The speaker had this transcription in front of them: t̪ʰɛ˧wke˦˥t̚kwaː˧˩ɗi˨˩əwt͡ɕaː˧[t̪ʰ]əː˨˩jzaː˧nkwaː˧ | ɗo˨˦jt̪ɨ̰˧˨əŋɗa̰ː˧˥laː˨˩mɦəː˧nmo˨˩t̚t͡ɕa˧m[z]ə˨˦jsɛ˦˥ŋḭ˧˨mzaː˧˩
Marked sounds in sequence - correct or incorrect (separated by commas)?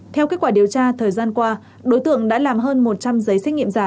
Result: correct, correct